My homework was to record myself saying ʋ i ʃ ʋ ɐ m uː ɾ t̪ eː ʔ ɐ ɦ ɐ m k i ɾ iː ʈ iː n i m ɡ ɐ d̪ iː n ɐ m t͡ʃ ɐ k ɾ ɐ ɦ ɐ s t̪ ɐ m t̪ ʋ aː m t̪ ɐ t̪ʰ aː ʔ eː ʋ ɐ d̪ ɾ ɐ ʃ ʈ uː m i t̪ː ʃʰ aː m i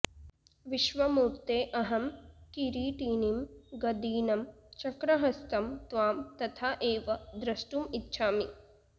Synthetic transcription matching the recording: ʋ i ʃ ʋ ɐ m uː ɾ t̪ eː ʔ ɐ ɦ ɐ m k i ɾ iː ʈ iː n i m ɡ ɐ d̪ iː n ɐ m t͡ʃ ɐ k ɾ ɐ ɦ ɐ s t̪ ɐ m t̪ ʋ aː m t̪ ɐ t̪ʰ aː ʔ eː ʋ ɐ d̪ ɾ ɐ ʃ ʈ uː m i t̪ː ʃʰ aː m i

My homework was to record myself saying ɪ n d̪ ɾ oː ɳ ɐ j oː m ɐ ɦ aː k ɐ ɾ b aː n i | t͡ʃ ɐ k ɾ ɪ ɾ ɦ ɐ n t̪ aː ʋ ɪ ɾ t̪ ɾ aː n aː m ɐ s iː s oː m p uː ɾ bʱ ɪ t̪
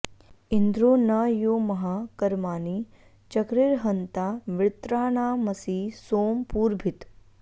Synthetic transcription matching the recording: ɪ n d̪ ɾ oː n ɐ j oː m ɐ ɦ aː k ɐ ɾ m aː n i | t͡ʃ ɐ k ɾ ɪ ɾ ɦ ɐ n t̪ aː ʋ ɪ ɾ t̪ ɾ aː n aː m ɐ s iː s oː m p uː ɾ bʱ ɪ t̪

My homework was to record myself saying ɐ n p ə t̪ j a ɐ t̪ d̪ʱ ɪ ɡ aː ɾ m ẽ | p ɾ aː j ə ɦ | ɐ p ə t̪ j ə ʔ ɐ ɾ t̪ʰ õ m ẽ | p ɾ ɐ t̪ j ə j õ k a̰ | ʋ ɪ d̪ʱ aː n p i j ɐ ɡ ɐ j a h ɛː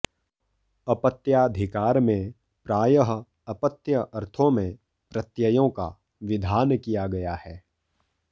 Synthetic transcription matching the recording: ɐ p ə t̪ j a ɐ d̪ʱ ɪ k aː ɾ m ẽ | p ɾ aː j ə ɦ | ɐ p ə t̪ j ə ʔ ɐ ɾ t̪ʰ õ m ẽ | p ɾ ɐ t̪ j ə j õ k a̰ | ʋ ɪ d̪ʱ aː n k i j a ɡ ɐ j a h ɛː

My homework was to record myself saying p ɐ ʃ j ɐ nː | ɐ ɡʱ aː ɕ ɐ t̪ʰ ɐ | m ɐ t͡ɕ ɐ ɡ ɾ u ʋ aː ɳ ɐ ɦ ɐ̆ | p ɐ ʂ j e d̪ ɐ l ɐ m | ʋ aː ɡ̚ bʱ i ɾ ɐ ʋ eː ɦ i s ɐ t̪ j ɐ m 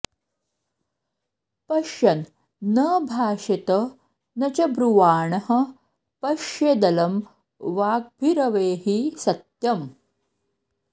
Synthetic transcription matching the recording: p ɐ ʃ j ɐ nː | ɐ bʱ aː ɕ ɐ t̪ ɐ | n ɐ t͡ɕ ɐ b ɾ u ʋ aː ɳ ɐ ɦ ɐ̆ | p ɐ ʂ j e d̪ ɐ l ɐ m | ʋ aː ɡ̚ bʱ i ɾ ɐ ʋ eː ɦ i s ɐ t̪ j ɐ m

